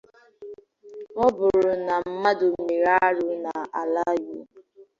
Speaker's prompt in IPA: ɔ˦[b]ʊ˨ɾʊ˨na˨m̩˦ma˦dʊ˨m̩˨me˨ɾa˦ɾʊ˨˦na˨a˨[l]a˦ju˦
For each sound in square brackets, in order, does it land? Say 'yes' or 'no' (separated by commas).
yes, yes